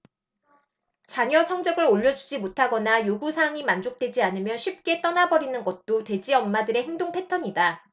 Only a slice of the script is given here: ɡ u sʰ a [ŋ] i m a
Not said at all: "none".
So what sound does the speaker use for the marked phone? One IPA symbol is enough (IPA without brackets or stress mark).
ŋ